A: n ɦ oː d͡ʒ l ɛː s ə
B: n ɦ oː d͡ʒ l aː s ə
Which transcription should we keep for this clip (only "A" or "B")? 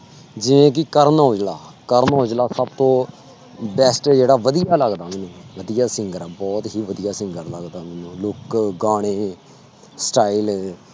B